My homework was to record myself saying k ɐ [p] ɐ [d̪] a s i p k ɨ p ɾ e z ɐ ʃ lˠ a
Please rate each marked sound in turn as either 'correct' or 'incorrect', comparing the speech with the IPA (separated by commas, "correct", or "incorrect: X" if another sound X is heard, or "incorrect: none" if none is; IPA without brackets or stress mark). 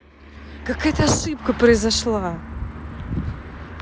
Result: incorrect: k, incorrect: t̪